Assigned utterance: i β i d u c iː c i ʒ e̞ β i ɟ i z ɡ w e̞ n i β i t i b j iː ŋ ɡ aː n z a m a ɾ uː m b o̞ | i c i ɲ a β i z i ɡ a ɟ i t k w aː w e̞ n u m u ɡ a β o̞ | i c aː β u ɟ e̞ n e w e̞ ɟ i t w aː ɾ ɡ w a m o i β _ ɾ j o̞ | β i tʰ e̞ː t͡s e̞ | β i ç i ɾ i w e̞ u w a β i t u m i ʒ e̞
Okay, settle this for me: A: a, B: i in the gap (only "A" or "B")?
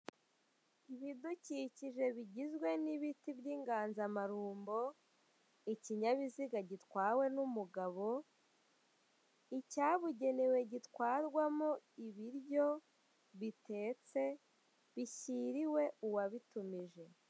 B